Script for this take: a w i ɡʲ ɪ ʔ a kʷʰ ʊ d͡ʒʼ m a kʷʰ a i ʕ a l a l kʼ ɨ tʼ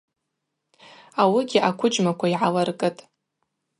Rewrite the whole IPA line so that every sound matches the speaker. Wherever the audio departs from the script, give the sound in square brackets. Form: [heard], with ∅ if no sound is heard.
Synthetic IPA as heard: a w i ɡʲ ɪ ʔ a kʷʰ ʊ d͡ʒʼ m a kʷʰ a i ʕ a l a [r] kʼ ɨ tʼ